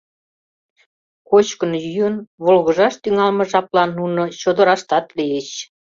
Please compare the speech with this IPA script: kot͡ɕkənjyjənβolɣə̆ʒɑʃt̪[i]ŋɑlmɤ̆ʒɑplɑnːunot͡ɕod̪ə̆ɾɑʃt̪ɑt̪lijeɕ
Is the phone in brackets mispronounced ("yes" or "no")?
yes